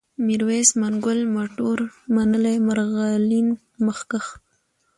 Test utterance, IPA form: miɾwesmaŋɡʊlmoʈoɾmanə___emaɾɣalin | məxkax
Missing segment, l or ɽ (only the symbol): l